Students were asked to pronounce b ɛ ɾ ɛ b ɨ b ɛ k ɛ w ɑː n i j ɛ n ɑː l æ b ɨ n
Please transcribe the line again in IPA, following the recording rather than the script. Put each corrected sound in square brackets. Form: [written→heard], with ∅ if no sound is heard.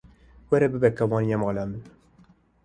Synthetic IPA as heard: [b→w] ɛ ɾ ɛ b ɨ b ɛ k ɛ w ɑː n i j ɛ [n→m] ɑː l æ [b→m] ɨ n